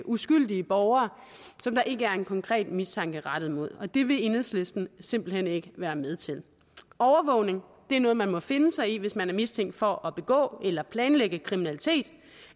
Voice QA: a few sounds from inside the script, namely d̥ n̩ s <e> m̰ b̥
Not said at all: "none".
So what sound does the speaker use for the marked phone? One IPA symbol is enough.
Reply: e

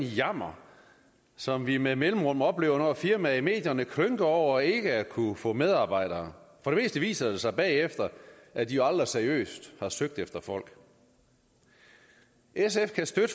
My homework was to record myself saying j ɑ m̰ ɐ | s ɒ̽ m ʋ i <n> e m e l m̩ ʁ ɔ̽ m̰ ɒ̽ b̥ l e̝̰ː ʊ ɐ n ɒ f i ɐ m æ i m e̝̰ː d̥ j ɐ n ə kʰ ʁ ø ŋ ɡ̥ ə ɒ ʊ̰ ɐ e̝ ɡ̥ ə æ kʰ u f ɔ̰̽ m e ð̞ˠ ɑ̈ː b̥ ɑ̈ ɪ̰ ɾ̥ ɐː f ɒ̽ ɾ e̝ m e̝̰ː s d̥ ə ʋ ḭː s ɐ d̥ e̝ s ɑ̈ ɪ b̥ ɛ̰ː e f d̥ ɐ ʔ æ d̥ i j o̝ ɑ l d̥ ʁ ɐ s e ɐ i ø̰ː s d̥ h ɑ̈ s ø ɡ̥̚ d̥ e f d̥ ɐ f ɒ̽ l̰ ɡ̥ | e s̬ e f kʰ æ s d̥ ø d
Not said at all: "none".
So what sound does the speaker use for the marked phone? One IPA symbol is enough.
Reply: m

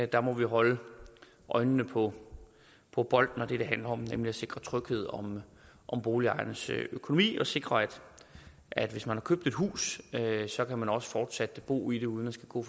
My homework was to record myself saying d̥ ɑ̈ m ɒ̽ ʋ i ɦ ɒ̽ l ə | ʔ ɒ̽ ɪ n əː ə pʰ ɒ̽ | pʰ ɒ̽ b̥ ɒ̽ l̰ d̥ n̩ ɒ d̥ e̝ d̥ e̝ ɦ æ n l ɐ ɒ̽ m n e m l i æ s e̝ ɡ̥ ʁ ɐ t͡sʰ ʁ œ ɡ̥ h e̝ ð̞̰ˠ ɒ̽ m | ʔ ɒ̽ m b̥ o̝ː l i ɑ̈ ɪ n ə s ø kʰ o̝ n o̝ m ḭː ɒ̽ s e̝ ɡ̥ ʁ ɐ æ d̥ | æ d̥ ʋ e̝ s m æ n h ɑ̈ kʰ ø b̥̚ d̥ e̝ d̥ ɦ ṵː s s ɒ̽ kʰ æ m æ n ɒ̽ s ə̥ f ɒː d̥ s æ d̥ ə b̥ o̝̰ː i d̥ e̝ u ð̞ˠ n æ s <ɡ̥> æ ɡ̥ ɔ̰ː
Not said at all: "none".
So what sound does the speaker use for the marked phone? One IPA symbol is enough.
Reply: ɡ̥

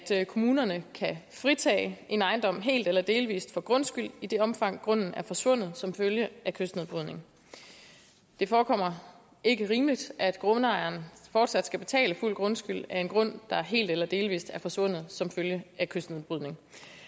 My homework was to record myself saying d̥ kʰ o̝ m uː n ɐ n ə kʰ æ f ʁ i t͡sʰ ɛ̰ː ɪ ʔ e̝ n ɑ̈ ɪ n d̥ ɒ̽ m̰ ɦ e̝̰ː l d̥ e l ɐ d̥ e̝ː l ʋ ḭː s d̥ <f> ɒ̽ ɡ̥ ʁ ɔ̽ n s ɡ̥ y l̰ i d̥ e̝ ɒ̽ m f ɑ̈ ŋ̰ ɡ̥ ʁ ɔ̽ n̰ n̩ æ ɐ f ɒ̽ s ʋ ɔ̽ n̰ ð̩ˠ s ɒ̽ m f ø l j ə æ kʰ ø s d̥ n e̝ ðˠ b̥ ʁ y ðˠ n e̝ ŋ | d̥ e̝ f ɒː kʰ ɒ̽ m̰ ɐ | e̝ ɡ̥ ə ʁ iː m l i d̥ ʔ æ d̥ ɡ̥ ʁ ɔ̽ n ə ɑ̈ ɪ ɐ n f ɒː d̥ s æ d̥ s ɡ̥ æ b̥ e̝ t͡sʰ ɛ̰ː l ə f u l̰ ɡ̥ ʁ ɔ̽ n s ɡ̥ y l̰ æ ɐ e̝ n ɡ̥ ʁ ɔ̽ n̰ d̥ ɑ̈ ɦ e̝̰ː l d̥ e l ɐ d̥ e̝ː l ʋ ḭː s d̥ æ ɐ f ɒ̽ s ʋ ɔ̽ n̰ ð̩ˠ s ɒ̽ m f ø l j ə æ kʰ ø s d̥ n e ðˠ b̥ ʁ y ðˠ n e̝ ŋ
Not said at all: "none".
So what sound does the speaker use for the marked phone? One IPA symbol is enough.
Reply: f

